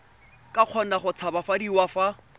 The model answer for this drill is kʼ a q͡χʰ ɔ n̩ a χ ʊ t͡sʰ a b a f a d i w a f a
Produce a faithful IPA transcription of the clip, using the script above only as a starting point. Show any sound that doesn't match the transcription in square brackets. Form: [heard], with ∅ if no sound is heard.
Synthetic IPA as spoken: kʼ a q͡χʰ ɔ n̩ a χ ʊ t͡sʰ a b a f a d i w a f a